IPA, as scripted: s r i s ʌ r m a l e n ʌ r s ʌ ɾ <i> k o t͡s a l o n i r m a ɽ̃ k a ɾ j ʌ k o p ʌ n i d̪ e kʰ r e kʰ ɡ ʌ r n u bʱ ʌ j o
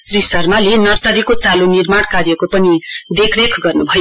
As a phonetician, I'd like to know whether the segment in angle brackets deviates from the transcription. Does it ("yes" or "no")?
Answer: no